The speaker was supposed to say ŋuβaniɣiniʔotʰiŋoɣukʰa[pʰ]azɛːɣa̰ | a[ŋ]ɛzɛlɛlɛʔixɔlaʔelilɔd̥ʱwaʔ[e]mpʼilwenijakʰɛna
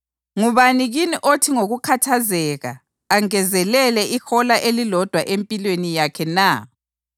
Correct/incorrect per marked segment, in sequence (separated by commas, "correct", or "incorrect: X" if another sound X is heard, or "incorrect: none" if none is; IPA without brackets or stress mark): incorrect: tʰ, correct, correct